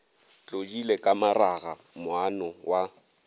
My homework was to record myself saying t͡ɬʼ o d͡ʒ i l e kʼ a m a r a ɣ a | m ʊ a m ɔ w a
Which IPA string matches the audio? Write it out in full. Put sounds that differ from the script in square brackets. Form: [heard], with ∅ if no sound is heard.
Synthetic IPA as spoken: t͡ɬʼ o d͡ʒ i l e kʼ a m a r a ɣ a | m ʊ a [n] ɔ w a